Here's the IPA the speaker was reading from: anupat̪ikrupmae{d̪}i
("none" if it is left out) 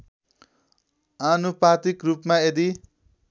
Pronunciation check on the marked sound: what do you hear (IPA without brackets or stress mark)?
d̪